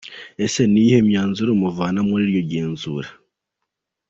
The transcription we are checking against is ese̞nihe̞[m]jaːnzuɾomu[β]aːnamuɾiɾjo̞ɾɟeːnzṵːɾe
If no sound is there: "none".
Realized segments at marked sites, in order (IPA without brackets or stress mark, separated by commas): m, v